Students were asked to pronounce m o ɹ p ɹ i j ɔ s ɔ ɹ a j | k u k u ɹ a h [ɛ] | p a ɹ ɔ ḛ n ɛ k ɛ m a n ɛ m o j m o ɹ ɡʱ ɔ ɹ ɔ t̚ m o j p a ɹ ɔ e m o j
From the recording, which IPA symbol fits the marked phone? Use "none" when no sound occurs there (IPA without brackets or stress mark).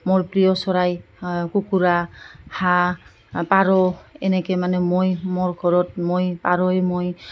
a